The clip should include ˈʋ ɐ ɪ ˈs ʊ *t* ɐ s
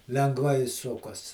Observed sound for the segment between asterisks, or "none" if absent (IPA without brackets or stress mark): k